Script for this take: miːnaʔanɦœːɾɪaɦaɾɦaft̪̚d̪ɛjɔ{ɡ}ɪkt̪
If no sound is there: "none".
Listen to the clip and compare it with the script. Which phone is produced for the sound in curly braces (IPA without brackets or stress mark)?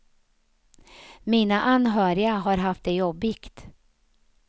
b